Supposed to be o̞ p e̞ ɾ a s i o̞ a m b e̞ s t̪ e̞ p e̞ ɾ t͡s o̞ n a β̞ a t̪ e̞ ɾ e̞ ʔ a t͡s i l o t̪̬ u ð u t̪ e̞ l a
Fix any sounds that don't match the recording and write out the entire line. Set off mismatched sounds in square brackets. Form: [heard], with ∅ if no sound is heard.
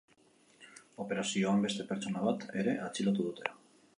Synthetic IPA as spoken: o̞ p e̞ ɾ a s i o̞ a m b e̞ s t̪ e̞ p e̞ ɾ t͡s o̞ n a β̞ a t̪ e̞ ɾ e̞ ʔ a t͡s i l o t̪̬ u ð u t̪ e̞ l a